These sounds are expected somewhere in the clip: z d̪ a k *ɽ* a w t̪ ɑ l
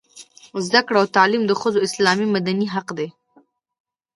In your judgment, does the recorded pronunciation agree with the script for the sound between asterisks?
yes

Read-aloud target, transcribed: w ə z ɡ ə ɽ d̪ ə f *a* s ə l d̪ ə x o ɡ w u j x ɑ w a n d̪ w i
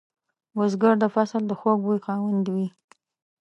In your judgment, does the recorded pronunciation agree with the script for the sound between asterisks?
yes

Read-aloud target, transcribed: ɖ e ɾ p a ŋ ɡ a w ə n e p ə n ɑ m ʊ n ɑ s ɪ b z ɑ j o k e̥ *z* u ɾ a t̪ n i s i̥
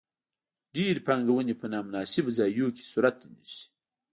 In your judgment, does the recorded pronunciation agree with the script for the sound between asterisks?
no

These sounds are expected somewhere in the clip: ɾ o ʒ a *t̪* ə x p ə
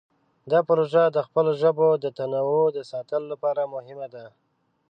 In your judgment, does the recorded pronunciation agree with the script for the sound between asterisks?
no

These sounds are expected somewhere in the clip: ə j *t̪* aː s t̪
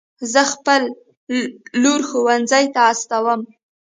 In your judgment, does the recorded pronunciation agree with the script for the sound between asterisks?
yes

